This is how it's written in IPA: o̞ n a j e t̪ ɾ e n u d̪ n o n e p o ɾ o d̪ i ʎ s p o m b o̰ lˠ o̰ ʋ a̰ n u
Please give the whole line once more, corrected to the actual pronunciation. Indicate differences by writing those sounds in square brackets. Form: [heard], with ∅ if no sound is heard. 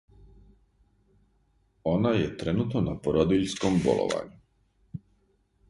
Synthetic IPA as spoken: o̞ n a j e t̪ ɾ e n u [t̪] n o n [a] p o ɾ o d̪ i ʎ s [k] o m b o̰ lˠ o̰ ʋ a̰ [ɲ] u